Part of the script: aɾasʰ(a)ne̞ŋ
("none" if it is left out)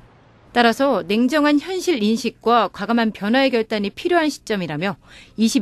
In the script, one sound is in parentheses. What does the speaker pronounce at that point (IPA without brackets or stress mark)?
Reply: ʌ